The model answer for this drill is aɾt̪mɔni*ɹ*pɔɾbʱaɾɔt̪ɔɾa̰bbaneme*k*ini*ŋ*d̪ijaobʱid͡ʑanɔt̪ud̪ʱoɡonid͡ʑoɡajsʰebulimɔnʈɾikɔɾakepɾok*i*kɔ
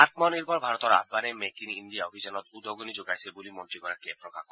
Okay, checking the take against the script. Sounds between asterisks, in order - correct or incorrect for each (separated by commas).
incorrect, correct, incorrect, incorrect